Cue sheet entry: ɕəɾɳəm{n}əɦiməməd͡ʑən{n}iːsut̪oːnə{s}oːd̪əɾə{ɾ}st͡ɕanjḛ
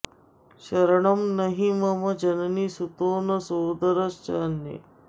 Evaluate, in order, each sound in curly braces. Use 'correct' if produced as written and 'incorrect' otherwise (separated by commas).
correct, correct, correct, incorrect